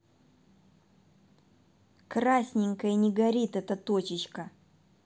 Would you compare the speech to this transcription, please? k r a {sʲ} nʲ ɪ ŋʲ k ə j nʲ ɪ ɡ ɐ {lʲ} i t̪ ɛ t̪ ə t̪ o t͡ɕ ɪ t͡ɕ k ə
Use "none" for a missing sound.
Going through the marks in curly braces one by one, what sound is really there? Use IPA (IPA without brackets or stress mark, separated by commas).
sʲ, ɾʲ